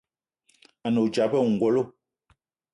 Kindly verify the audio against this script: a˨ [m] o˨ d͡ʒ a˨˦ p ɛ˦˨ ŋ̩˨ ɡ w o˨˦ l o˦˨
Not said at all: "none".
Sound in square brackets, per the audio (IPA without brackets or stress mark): n